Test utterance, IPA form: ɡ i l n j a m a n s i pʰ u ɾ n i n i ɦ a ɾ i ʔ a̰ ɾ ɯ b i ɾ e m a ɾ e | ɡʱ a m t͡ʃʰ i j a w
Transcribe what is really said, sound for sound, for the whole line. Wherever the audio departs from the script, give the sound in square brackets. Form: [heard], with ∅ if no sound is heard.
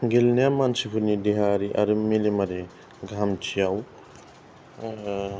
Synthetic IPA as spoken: ɡ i l n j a m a n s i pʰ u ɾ n i [d] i ɦ a ɾ i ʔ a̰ ɾ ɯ [m] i [l] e m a ɾ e | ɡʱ a m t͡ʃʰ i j a w